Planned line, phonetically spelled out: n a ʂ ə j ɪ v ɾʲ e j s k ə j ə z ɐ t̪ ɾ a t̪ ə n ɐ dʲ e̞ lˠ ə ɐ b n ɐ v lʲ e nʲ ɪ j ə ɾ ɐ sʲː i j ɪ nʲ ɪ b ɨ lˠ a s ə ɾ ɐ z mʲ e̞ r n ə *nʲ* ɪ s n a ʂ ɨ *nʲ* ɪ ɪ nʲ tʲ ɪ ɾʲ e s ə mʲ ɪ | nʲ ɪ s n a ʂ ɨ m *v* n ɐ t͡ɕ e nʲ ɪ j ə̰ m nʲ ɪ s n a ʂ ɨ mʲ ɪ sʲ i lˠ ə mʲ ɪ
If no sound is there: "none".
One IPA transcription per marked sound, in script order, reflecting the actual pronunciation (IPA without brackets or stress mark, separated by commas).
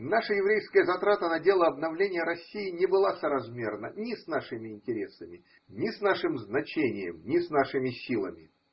nʲ, mʲ, z